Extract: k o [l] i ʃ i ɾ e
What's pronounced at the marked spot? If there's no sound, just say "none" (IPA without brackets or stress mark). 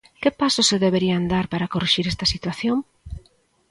r